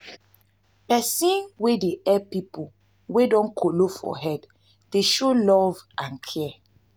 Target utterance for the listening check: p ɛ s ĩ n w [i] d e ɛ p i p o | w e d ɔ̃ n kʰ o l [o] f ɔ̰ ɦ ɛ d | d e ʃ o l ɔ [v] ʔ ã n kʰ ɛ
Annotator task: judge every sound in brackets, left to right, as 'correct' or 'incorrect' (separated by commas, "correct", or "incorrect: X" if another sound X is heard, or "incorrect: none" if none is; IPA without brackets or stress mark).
incorrect: e, correct, correct